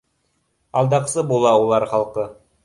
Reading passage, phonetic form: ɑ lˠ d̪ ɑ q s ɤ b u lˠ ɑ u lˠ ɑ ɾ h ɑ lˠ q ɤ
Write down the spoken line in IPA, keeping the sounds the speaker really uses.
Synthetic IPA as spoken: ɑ lˠ d̪ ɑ q s ɤ b u lˠ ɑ u lˠ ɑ ɾ χ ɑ lˠ q ɤ